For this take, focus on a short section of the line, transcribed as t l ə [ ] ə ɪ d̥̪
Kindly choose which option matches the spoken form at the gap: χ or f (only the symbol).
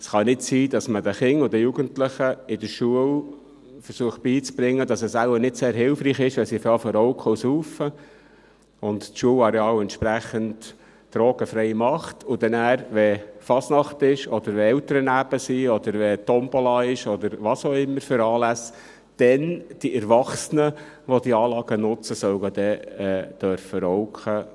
χ